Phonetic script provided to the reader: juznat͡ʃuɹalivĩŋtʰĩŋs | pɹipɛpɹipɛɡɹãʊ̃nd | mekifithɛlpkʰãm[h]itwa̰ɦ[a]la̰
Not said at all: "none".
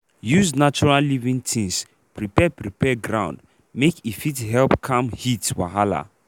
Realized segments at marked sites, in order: h, a

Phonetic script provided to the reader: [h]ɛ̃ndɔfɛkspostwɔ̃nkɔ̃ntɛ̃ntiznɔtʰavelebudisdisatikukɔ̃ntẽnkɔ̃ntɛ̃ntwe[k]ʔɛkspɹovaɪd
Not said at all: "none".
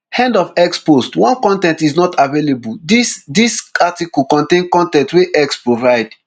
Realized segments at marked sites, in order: h, none

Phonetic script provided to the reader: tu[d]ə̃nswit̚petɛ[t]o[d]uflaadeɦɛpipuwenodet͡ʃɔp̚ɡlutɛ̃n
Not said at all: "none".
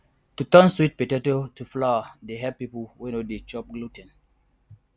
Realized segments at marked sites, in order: t, t, t

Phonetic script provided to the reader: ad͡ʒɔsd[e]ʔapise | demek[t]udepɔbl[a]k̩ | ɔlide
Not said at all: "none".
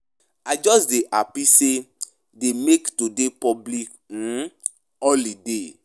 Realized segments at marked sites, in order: e, t, i

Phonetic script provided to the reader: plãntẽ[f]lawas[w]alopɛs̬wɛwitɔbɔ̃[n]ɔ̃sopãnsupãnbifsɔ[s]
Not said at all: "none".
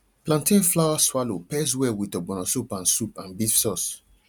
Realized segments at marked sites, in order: f, w, n, s

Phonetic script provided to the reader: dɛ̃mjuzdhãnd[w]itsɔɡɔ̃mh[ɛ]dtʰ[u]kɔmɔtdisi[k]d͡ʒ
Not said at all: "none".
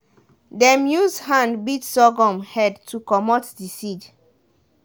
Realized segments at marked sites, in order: b, ɛ, u, none

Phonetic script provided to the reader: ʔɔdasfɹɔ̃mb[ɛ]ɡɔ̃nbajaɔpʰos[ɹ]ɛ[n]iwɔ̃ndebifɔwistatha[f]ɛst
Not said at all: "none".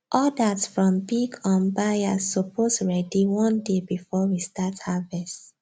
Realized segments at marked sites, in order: i, ɹ, d, v

